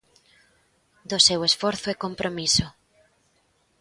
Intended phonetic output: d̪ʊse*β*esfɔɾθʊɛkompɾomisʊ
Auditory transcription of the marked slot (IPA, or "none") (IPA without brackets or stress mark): w